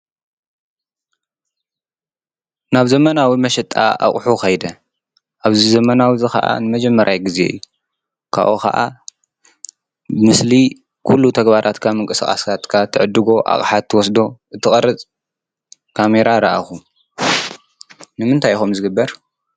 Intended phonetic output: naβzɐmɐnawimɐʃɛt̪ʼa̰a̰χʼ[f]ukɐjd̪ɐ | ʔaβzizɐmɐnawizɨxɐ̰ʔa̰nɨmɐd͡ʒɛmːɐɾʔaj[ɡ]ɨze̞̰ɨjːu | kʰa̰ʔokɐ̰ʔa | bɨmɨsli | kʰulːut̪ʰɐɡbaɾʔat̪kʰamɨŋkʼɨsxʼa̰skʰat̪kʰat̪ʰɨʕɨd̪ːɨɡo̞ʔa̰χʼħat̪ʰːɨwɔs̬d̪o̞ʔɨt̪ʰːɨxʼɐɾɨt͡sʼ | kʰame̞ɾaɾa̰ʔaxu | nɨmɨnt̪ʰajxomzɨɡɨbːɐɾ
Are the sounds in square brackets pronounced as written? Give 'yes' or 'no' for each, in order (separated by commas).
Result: no, yes